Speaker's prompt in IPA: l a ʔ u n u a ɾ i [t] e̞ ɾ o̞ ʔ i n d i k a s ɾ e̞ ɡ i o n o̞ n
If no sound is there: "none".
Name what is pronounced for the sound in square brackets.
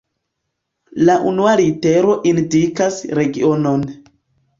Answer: t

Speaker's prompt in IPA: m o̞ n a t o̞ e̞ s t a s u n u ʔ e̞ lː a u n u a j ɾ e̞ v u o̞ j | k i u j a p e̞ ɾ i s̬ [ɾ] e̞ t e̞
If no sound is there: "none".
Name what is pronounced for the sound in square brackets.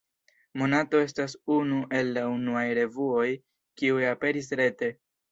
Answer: ɾ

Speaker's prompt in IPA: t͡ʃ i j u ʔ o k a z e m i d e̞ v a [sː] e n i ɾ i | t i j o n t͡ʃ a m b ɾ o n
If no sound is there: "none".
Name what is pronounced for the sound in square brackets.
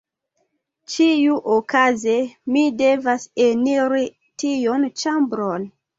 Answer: s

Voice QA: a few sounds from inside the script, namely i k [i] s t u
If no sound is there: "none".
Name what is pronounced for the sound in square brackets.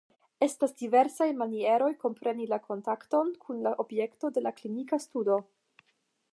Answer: a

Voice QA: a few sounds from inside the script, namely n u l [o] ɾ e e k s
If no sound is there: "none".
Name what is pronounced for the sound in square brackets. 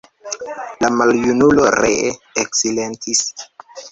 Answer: o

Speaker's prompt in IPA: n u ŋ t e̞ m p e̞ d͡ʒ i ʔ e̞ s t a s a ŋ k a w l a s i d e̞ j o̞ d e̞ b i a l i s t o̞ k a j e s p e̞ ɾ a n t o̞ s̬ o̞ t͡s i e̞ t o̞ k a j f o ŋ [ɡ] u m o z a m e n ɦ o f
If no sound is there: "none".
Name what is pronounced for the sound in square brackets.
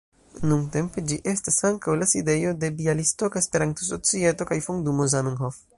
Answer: d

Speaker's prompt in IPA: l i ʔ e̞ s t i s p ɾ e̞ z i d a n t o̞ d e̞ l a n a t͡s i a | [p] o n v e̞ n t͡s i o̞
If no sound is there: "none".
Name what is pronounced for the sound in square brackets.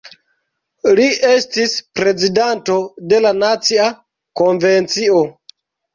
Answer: k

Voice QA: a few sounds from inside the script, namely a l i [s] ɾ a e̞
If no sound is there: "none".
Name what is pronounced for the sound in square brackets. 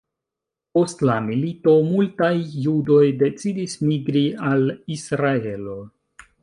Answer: s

